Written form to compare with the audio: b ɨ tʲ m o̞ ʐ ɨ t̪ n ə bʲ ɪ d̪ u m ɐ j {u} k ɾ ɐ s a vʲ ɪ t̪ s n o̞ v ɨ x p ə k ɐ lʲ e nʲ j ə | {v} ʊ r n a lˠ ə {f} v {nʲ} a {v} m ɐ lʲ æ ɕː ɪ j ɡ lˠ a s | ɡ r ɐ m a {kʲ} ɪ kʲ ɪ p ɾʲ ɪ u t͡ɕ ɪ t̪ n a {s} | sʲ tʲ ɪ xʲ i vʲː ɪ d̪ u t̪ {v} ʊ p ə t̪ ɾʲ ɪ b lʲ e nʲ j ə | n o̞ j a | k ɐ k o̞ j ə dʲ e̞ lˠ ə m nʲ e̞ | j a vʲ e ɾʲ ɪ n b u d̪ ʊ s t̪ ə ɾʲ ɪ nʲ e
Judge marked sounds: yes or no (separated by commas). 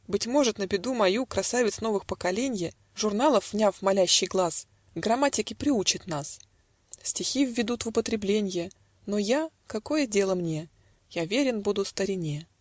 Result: yes, no, yes, yes, no, no, yes, yes